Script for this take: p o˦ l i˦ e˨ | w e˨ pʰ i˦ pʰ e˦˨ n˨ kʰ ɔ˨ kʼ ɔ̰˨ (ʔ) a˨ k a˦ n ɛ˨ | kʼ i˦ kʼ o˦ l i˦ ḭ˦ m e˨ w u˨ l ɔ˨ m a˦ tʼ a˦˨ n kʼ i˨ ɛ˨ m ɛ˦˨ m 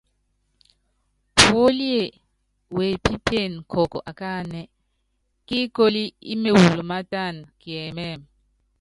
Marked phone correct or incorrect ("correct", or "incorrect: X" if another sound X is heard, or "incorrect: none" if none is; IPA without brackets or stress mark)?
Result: correct